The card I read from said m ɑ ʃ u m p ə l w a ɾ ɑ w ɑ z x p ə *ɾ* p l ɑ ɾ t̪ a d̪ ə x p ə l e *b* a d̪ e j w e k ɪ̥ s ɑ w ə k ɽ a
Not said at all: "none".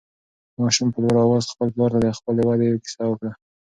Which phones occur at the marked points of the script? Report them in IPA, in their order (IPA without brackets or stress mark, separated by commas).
l, w